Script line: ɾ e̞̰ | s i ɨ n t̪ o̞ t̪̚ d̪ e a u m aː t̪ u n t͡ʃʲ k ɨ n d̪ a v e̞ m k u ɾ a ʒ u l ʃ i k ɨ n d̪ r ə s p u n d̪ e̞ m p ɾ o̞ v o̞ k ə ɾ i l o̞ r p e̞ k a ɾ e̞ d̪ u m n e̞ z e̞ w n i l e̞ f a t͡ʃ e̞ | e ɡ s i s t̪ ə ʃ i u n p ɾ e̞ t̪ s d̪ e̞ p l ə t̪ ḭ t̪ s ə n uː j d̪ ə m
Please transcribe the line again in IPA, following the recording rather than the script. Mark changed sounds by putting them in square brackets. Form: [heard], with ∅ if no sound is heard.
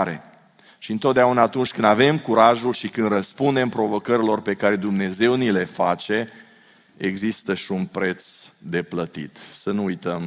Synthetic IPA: ɾ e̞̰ | [ʃ] i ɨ n t̪ o̞ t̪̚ d̪ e a u [n] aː t̪ u n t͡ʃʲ k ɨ n d̪ a v e̞ m k u ɾ a ʒ u l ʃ i k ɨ n d̪ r ə s p u n d̪ e̞ m p ɾ o̞ v o̞ k ə ɾ i l o̞ r p e̞ k a ɾ e̞ d̪ u m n e̞ z e̞ w n i l e̞ f a t͡ʃ e̞ | e ɡ [z] i s t̪ ə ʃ i u n p ɾ e̞ t̪ s d̪ e̞ p l ə t̪ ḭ t̪ s ə n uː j [t̪] ə m